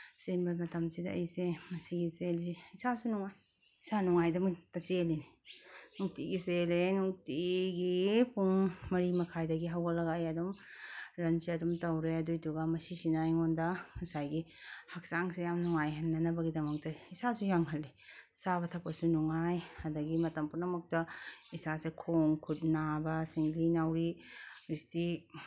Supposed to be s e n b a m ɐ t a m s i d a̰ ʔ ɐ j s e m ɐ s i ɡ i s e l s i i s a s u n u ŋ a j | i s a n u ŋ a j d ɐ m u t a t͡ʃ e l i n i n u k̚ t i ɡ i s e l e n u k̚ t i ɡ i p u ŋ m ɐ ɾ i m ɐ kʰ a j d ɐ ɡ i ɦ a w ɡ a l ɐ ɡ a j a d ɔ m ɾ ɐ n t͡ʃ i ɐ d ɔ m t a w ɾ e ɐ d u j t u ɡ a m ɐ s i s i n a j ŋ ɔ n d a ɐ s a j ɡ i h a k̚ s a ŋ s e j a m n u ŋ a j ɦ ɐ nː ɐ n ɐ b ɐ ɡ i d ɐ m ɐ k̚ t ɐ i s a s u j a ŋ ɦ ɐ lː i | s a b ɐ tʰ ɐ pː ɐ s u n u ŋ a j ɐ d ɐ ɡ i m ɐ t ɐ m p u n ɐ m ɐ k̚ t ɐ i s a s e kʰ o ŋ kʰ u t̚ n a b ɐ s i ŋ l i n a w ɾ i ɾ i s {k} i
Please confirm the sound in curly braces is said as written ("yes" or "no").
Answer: no